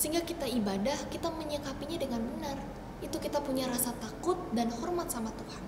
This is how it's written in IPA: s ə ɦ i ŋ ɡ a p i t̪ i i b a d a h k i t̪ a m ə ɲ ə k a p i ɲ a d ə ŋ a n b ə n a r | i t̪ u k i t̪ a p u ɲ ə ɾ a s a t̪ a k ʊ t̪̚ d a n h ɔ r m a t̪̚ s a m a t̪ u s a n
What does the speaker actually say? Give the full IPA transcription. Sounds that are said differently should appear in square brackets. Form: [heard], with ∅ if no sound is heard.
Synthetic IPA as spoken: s ə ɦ i ŋ ɡ a [k] i t̪ [a] i b a d a h k i t̪ a m ə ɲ ə k a p i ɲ a d ə ŋ a n b ə n a r | i t̪ u k i t̪ a p u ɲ [a] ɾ a s a t̪ a k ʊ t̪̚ d a n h ɔ r m a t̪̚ s a m a t̪ u [h] a n